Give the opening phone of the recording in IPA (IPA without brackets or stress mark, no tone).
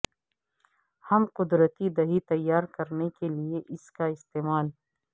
h